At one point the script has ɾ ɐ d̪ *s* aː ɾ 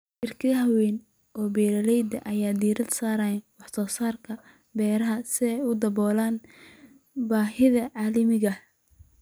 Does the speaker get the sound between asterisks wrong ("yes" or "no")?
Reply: no